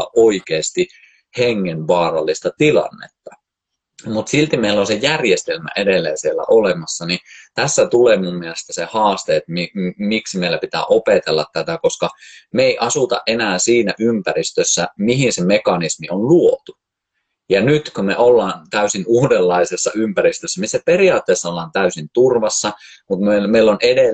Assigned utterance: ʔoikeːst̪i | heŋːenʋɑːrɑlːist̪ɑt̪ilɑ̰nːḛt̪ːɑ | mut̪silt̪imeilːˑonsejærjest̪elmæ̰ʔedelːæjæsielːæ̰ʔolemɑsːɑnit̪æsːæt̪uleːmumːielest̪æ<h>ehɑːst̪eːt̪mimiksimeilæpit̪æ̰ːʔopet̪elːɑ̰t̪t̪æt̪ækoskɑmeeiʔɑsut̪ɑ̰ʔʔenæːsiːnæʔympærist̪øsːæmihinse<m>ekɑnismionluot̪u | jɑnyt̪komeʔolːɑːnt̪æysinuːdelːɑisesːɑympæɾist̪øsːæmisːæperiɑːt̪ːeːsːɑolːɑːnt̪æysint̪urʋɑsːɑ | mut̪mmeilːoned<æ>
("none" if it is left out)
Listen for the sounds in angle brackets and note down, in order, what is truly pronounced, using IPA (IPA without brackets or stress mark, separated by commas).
s, m, e